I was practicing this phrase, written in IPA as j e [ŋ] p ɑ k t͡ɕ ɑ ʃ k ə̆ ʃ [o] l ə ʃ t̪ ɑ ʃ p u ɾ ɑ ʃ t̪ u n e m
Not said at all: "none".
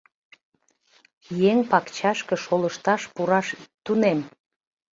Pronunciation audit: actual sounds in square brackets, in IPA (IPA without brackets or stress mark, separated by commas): ŋ, o